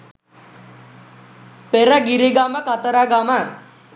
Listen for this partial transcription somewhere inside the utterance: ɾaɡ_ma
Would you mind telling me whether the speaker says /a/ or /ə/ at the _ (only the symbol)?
a